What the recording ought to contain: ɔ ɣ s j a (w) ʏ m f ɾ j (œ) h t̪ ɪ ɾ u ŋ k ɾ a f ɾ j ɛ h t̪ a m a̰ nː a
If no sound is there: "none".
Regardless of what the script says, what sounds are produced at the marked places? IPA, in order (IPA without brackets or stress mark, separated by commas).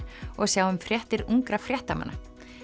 w, ɛ